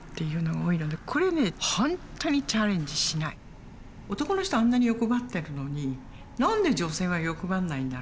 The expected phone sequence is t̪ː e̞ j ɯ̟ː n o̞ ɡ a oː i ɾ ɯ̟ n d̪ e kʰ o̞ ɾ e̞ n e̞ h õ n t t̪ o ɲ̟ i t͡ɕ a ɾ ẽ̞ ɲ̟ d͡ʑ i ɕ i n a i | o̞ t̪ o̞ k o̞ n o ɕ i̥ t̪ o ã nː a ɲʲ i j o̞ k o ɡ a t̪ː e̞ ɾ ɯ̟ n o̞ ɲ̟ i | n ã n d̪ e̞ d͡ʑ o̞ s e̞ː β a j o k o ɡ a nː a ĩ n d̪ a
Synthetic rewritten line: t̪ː e̞ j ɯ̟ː n o̞ ɡ a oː i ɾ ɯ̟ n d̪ e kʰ o̞ ɾ e̞ n e̞ h õ n t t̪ o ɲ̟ i t͡ɕ a ɾ ẽ̞ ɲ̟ d͡ʑ i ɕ i n a i | o̞ t̪ o̞ k o̞ n o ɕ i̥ t̪ o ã nː a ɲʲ i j o̞ k o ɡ a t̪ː e̞ ɾ ɯ̟ n o̞ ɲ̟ i | n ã n d̪ e̞ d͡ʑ o̞ s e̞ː β a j o k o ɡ a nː a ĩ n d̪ a